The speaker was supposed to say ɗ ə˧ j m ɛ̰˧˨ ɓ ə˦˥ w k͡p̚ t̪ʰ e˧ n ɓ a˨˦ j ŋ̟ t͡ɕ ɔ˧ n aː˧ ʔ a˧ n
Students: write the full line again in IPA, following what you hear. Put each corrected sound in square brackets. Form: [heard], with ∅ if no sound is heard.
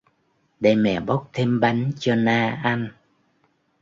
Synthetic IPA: ɗ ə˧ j m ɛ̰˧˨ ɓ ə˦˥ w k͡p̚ t̪ʰ e˧ [m] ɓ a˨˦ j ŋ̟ t͡ɕ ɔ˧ n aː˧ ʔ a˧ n